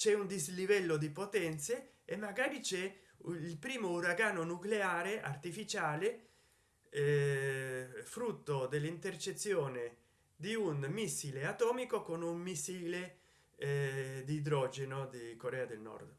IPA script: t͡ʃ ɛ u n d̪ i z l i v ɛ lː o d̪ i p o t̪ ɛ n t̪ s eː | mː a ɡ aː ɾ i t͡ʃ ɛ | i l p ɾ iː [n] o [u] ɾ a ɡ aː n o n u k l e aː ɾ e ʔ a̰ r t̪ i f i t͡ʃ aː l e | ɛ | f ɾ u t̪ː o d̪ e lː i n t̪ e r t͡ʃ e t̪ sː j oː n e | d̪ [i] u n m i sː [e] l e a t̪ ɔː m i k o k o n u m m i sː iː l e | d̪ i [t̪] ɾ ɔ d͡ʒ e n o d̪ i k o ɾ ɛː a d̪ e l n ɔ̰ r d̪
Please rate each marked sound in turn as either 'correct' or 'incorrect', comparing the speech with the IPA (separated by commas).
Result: incorrect, correct, correct, incorrect, incorrect